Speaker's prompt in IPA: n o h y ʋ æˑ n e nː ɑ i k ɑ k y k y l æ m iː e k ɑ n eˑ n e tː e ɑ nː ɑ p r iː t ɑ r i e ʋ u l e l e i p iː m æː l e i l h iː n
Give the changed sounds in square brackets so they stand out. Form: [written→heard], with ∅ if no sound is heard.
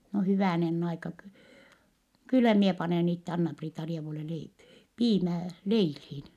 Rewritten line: n o h y ʋ æˑ n e nː ɑ i k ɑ k y k y [l→lː] æ m [iː→i] e [k→p] ɑ n eˑ n [e→i] tː e ɑ nː ɑ p r iː t ɑ r i e ʋ u l e l e i p iː m æː l e i l h iː n